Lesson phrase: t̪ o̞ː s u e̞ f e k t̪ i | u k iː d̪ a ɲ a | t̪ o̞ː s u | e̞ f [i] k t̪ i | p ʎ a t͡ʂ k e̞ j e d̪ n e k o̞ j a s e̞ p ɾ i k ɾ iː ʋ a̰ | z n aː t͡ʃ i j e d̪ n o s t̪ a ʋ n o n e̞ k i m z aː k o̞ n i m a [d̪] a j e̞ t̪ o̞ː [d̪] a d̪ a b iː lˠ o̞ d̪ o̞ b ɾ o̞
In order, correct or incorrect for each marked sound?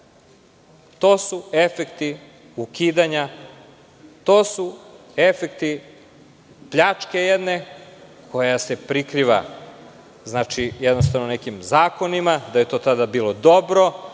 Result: incorrect: e, correct, incorrect: t̪

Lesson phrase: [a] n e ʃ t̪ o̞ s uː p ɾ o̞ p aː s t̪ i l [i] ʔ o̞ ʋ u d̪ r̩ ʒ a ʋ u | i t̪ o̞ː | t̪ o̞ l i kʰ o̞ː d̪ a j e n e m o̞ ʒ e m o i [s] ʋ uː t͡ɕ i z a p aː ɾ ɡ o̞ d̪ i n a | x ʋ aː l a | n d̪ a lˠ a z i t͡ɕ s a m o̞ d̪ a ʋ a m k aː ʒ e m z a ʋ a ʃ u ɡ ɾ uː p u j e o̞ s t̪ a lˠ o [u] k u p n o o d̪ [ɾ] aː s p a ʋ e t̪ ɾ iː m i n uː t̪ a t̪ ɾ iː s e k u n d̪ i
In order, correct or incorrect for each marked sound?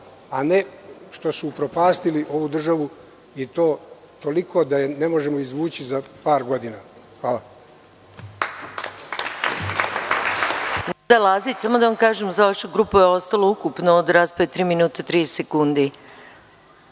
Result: correct, correct, incorrect: z, correct, correct

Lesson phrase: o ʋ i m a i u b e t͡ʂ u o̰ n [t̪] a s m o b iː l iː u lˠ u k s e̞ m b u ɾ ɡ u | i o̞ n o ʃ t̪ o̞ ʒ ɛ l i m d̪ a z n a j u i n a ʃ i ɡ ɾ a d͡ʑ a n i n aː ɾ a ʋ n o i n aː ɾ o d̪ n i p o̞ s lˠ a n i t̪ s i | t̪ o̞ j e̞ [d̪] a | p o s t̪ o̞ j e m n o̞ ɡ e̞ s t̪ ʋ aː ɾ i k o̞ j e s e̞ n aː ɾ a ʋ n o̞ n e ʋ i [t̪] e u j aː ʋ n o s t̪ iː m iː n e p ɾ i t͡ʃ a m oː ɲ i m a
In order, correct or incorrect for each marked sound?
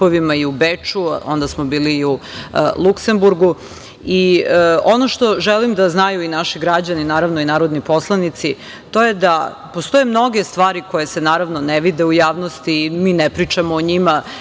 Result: incorrect: d̪, correct, incorrect: d̪

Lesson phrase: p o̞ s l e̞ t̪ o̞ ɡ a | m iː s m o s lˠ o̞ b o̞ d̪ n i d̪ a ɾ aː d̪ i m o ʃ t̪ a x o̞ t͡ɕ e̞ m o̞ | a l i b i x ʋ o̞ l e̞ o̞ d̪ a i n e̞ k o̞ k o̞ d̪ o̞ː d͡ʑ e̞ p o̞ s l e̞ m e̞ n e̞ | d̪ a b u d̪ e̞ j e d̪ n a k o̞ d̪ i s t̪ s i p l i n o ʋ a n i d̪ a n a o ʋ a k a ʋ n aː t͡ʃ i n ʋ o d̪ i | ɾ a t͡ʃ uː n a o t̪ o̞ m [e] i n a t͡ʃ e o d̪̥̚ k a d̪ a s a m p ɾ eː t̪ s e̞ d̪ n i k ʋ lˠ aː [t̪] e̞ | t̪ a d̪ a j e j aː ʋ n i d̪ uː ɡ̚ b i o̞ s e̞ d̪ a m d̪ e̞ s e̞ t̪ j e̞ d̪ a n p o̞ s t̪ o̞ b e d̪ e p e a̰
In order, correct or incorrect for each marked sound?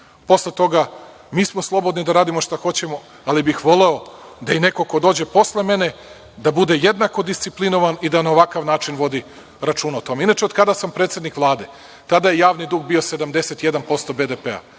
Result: correct, incorrect: d̪

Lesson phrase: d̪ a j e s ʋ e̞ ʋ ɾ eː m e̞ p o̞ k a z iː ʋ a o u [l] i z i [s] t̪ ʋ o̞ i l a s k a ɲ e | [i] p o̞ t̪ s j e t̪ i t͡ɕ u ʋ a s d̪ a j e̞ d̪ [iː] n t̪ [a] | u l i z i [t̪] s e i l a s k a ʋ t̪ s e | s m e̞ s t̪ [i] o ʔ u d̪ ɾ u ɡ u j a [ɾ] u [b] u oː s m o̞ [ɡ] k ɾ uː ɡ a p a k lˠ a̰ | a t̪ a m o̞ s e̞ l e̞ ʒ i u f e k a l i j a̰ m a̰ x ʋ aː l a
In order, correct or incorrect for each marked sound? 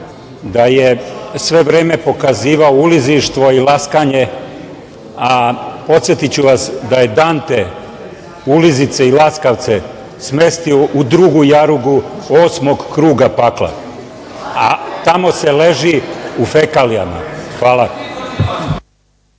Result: correct, incorrect: ʃ, incorrect: a, incorrect: aː, incorrect: e, correct, correct, correct, incorrect: ɡ, correct

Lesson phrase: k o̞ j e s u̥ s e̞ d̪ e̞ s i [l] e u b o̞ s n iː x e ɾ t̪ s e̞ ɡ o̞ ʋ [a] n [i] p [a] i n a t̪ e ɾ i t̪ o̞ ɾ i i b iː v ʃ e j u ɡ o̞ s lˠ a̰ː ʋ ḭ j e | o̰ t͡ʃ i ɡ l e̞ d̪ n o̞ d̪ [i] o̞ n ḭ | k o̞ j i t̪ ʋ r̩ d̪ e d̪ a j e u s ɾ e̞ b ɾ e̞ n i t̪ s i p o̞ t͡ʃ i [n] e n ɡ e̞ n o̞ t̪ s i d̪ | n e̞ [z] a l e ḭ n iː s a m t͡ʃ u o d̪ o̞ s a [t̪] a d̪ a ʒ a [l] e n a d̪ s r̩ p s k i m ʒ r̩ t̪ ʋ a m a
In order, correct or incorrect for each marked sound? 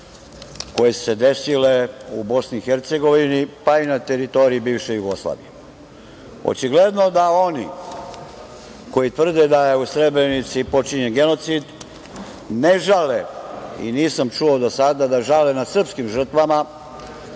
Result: correct, incorrect: i, correct, correct, incorrect: a, incorrect: ɲ, incorrect: ʒ, incorrect: d̪, correct

